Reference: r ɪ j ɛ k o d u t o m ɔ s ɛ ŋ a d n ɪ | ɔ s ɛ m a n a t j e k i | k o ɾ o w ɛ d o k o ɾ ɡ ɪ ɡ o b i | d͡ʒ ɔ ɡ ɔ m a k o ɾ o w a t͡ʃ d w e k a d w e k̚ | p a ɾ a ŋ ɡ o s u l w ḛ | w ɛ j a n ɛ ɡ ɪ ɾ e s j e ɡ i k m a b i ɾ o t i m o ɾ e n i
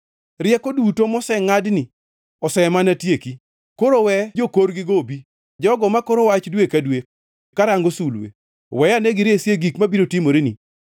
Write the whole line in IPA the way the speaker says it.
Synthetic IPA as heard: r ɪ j ɛ k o d u t o m ɔ s ɛ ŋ a d n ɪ | ɔ s ɛ m a n a t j e k i | k o ɾ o w ɛ d͡ʒ o k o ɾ ɡ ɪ ɡ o b i | d͡ʒ ɔ ɡ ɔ m a k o ɾ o w a t͡ʃ d w e k a d w e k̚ | k a ɾ a ŋ ɡ o s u l w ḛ | w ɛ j a n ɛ ɡ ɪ ɾ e s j e ɡ i k m a b i ɾ o t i m o ɾ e n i